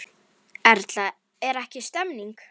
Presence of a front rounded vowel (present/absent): absent